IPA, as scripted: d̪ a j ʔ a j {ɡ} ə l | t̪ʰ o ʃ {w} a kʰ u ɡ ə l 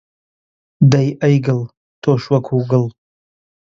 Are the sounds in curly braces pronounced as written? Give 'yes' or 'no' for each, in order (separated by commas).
yes, yes